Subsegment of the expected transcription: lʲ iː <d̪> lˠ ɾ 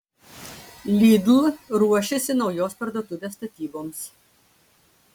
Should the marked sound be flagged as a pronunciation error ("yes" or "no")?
no